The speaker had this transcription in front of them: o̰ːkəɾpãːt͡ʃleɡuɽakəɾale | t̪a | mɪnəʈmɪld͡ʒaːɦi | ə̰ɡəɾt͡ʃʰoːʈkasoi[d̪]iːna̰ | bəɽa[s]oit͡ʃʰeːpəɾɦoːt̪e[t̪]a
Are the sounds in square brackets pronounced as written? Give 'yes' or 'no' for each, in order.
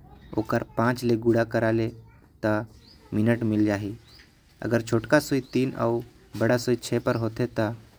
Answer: no, yes, yes

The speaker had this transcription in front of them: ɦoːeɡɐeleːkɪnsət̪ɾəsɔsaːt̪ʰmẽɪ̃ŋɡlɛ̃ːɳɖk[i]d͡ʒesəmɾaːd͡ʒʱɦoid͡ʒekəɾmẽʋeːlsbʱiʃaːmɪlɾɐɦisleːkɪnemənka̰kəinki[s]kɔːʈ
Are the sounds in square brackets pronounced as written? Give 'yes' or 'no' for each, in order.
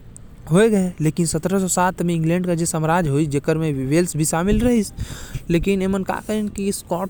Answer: no, yes

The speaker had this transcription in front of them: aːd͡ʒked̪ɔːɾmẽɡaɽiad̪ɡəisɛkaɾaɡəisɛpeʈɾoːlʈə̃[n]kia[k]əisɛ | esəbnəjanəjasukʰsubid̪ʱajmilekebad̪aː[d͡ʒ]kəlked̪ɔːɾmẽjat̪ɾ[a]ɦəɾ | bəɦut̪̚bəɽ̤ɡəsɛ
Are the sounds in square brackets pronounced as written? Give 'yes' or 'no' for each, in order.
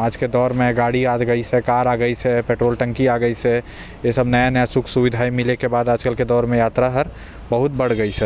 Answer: no, no, yes, yes

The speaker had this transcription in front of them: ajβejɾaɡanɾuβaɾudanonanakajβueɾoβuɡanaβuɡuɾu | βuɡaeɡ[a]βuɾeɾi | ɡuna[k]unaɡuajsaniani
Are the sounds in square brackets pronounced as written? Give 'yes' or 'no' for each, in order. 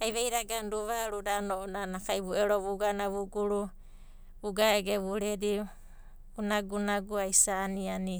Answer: no, no

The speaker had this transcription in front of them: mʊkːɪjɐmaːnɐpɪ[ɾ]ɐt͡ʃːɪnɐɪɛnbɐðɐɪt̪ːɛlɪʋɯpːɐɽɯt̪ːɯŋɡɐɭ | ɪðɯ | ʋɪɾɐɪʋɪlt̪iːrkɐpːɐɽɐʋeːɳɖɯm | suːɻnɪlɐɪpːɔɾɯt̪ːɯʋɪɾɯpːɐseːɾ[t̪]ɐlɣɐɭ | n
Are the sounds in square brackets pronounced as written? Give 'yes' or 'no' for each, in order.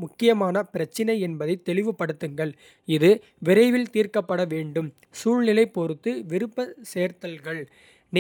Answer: yes, yes

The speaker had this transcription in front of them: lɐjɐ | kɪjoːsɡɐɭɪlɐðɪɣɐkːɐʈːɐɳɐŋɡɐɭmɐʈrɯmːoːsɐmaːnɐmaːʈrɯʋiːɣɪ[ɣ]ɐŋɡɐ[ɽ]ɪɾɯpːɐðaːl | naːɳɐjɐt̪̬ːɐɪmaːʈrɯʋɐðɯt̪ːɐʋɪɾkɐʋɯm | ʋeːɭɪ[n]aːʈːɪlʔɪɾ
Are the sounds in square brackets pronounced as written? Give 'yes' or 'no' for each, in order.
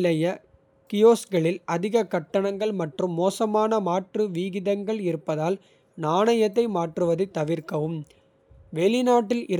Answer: no, no, yes

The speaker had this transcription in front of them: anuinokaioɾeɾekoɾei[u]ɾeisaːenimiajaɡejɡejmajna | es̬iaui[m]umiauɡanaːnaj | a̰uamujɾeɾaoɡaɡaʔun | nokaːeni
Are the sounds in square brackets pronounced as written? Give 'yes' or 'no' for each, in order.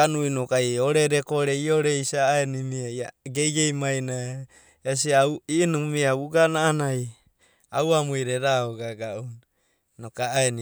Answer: no, no

